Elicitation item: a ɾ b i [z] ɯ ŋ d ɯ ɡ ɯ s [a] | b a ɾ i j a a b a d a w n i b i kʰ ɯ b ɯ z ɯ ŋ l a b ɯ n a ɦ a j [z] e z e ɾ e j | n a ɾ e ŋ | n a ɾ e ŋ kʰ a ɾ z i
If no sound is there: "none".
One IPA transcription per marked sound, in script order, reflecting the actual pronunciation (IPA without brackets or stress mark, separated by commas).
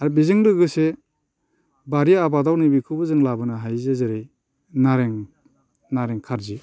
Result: z, e, z